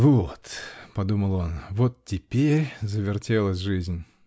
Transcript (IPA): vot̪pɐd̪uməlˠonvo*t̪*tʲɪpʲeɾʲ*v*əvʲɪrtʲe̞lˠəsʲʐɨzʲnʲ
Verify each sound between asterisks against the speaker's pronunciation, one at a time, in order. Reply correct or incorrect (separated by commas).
correct, incorrect